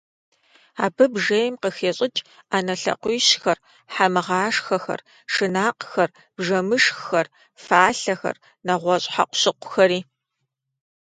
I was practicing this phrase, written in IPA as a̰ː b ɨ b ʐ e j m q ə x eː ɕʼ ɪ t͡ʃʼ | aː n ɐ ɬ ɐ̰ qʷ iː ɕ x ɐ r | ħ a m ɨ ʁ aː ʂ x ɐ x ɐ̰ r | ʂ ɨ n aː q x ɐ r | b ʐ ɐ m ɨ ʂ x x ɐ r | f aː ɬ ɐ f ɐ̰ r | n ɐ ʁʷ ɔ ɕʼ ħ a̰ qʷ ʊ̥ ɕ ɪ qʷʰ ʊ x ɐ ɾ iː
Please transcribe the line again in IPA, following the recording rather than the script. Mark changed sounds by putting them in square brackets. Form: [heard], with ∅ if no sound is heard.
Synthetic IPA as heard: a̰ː b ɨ b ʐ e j m q ə x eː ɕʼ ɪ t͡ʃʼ | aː n ɐ ɬ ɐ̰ qʷ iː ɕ x ɐ r | ħ a m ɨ ʁ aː ʂ x ɐ x ɐ̰ r | ʂ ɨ n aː q x ɐ r | b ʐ ɐ m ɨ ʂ x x ɐ r | f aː ɬ ɐ [x] ɐ̰ r | n ɐ ʁʷ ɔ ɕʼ ħ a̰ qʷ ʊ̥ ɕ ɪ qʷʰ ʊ x ɐ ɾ iː